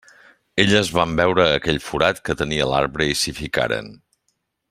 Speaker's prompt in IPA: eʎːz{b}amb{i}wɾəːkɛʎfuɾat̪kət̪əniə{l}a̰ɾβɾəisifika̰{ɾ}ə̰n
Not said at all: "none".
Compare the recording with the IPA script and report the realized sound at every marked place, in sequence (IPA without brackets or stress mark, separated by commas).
β, ɛ, l, ɾ